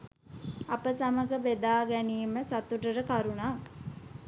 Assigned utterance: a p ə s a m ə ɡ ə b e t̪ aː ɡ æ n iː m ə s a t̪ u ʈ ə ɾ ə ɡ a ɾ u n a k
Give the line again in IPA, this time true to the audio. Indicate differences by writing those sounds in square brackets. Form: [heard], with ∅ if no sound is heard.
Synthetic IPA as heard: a p ə s a m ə ɡ ə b e [d̪] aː ɡ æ n iː m ə s a t̪ u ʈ ə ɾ ə [k] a ɾ u n a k